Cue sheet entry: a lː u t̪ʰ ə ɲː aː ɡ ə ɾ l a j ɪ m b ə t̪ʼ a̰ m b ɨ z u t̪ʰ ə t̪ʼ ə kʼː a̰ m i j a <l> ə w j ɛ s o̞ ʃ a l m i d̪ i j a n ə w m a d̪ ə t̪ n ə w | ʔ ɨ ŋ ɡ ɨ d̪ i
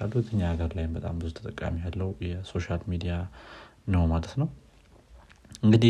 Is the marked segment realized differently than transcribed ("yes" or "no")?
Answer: yes